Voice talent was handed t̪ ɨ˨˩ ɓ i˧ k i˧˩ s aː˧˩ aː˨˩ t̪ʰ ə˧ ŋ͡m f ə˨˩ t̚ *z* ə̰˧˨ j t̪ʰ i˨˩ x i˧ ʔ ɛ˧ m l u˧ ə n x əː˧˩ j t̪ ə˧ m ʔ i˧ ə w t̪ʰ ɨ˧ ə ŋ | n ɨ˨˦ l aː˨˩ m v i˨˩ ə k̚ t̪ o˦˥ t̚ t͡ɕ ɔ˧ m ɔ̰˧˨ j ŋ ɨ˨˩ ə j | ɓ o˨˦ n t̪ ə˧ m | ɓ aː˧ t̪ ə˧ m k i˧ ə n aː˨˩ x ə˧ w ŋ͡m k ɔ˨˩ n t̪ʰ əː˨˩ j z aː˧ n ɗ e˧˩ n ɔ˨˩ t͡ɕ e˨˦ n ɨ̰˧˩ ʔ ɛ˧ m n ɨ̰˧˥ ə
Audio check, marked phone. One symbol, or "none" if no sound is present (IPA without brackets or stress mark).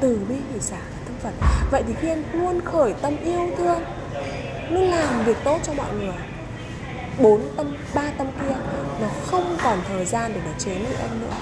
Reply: v